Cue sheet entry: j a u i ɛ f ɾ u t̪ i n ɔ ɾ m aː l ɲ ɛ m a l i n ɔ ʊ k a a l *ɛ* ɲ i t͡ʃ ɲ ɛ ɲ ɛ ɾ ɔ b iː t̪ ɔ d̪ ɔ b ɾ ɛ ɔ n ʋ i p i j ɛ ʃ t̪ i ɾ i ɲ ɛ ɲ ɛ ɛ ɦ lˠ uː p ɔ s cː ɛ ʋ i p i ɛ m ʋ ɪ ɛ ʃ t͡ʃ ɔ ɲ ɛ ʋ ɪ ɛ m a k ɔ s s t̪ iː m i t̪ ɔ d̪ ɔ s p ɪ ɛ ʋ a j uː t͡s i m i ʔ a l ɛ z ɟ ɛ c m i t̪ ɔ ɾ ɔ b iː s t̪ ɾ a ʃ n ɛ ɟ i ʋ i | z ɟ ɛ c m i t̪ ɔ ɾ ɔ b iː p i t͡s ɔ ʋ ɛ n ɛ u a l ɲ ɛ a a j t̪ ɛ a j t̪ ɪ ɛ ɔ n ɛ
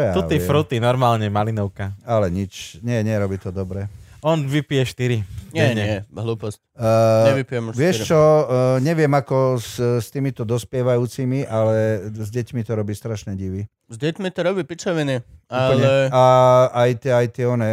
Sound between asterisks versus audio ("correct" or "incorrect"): correct